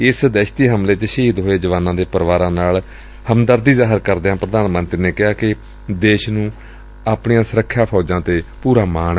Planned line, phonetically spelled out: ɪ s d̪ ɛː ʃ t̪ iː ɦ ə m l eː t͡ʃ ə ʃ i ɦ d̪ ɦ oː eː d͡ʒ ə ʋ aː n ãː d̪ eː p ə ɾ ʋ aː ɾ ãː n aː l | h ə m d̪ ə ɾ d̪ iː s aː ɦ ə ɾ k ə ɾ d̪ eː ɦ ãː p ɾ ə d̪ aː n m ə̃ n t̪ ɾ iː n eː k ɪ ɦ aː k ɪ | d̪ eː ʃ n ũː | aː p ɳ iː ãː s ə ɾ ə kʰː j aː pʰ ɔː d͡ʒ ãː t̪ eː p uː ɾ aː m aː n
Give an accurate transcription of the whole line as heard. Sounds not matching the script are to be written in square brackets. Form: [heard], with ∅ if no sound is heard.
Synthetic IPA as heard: ɪ s d̪ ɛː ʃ t̪ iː ɦ ə m l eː t͡ʃ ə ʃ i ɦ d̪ ɦ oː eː d͡ʒ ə ʋ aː n ãː d̪ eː p ə ɾ ʋ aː ɾ ãː n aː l | h ə m d̪ ə ɾ d̪ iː [z] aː ɦ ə ɾ k ə ɾ d̪ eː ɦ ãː p ɾ ə d̪ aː n m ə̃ n t̪ ɾ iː n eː k ɪ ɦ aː k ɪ | d̪ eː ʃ n ũː | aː p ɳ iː ãː s ə ɾ ə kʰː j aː pʰ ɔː d͡ʒ ãː t̪ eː p uː ɾ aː m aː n